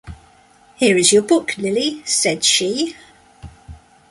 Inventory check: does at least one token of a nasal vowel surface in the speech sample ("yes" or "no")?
no